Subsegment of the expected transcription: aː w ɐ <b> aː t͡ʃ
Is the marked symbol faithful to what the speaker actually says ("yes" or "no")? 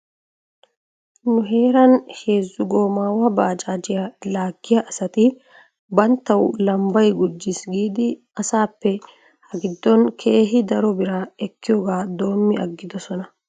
yes